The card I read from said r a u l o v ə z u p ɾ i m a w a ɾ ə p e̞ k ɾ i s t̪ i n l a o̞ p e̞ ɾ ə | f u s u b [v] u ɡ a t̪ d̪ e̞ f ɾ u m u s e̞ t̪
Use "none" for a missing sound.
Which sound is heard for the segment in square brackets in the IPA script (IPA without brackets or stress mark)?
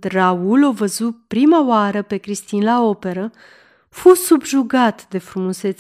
ʒ